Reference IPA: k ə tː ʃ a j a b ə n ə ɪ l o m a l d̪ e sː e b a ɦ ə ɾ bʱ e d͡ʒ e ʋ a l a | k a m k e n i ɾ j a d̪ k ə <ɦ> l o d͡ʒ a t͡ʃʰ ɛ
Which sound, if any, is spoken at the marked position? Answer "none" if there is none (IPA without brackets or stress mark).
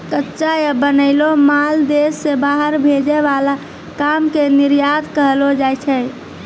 ɦ